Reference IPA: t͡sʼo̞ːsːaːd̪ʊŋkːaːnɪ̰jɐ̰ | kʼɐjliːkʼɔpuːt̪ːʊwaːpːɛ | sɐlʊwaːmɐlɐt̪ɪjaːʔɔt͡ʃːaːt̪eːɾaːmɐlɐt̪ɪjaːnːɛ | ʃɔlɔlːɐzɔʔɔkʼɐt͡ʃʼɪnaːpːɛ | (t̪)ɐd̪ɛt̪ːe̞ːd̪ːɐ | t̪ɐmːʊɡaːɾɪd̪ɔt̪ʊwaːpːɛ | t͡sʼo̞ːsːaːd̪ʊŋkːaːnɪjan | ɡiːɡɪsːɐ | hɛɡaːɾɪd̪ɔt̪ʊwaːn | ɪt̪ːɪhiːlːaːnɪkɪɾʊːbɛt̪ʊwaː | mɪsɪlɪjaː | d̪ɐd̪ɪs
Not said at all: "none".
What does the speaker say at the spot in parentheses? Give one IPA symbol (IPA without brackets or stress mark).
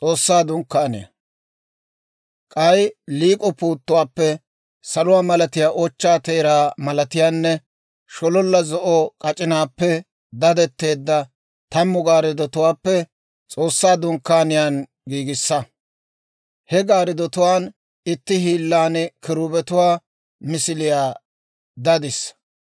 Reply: d̪